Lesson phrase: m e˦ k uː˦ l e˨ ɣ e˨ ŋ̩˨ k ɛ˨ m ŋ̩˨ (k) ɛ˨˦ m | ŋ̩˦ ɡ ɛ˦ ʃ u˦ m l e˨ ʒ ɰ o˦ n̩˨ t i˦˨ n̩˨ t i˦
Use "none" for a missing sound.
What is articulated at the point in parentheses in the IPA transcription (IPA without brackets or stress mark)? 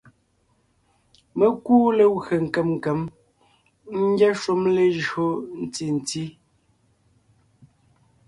k